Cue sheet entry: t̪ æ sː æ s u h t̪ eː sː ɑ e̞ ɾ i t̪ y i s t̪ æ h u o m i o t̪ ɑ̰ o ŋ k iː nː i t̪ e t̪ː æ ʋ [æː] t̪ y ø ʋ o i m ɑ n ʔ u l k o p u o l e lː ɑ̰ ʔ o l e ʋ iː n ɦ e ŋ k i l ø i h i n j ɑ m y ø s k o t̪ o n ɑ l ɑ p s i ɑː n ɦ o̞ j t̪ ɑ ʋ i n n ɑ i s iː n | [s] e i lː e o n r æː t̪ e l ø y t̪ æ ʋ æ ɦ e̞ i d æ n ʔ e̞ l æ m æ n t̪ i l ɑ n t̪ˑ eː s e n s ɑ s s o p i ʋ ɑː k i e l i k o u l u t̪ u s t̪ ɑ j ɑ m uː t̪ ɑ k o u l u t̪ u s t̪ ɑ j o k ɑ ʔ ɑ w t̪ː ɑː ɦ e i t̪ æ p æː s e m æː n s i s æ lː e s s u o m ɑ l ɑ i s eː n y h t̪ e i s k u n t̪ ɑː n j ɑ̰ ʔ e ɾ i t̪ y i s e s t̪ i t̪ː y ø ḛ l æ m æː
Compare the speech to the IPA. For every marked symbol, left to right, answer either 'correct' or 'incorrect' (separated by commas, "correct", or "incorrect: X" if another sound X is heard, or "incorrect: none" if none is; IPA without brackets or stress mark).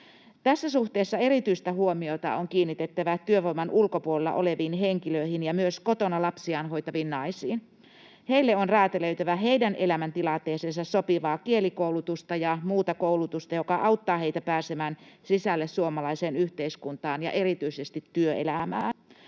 incorrect: æ, incorrect: h